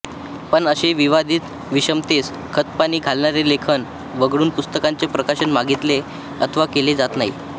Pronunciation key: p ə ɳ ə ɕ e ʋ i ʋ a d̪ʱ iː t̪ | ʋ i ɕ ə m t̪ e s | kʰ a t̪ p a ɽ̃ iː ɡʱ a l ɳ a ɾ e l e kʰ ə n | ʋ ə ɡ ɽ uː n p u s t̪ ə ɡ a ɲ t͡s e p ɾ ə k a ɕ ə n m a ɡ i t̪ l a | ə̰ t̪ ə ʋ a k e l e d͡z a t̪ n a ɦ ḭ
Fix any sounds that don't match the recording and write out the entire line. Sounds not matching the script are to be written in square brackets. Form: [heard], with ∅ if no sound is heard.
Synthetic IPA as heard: p ə ɳ ə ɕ e ʋ i ʋ a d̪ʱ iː t̪ | ʋ i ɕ ə m t̪ e s | kʰ [ə] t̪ p a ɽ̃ iː ɡʱ a l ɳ a ɾ e l e kʰ ə n | ʋ ə ɡ ɽ uː n p u s t̪ ə [k] a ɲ t͡s e p ɾ ə k a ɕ ə n m a ɡ i t̪ l [e] | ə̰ [t̪ʰ] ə ʋ a k e l e d͡z a t̪ n a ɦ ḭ